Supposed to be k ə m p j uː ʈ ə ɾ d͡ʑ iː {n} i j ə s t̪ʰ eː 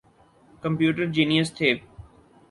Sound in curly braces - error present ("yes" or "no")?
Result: no